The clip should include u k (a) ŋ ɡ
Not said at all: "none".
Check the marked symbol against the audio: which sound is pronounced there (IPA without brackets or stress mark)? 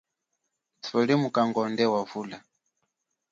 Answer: a